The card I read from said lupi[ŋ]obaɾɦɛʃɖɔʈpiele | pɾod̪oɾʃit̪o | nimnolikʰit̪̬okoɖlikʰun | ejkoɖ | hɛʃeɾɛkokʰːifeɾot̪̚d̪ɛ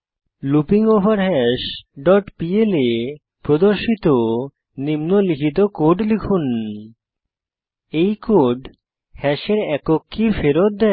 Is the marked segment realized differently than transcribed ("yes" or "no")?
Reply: no